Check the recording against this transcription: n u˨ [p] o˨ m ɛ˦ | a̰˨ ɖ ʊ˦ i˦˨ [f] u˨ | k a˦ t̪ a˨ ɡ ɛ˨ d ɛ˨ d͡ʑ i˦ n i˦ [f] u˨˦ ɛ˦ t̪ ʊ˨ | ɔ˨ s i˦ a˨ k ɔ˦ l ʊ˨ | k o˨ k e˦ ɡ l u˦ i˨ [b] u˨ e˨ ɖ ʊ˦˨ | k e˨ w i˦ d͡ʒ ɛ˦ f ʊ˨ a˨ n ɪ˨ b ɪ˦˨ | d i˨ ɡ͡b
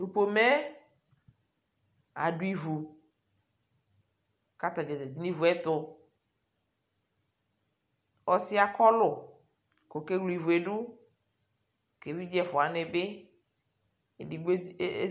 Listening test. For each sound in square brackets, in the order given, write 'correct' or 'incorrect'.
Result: correct, incorrect: v, incorrect: v, incorrect: v

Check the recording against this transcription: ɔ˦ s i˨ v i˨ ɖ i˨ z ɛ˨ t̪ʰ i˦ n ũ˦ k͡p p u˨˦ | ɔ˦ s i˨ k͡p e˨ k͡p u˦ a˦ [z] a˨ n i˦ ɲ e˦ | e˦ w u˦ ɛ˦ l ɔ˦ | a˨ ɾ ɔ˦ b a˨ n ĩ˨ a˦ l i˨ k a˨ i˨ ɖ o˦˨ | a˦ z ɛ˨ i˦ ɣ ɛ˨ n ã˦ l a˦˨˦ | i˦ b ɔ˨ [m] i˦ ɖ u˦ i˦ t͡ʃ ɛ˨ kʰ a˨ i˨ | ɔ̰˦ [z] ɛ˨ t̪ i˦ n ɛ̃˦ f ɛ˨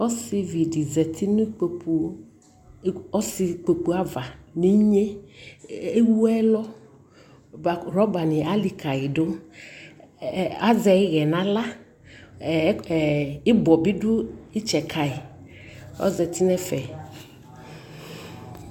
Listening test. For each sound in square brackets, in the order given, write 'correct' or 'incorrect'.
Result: incorrect: v, incorrect: b, correct

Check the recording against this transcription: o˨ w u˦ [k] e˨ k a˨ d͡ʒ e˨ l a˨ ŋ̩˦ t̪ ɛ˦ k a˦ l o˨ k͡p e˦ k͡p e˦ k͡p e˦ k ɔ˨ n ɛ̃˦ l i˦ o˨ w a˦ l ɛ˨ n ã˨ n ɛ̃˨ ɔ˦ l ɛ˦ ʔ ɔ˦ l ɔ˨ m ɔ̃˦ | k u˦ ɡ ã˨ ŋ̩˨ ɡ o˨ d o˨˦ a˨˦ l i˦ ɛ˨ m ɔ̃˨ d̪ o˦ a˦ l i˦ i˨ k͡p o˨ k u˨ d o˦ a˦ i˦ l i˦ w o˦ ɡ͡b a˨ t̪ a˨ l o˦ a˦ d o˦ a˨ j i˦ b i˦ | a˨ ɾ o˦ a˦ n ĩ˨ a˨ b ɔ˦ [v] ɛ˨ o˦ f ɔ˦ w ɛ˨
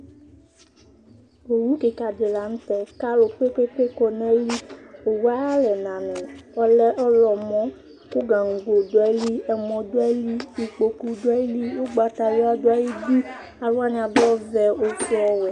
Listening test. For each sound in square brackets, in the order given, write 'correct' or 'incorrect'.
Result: correct, correct

